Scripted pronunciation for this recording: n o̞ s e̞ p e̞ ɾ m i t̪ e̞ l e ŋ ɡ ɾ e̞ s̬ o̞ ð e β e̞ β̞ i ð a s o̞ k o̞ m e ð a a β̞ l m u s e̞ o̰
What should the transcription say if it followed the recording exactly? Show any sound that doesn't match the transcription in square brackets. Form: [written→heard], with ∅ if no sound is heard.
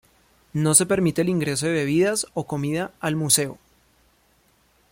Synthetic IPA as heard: n o̞ s e̞ p e̞ ɾ m i t̪ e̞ l [e→i] ŋ ɡ ɾ e̞ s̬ o̞ ð e β e̞ β̞ i ð a s o̞ k o̞ m [e→i] ð a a [β̞→∅] l m u s e̞ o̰